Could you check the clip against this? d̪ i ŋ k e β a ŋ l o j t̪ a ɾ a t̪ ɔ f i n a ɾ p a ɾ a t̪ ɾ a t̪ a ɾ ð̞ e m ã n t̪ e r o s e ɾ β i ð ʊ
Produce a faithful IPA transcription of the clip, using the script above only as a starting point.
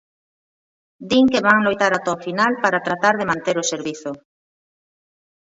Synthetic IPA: d̪ i ŋ k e β a ŋ l o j t̪ a ɾ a t̪ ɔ f i n a l p a ɾ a t̪ ɾ a t̪ a ɾ ð̞ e m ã n t̪ e ɾ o s e ɾ β i θ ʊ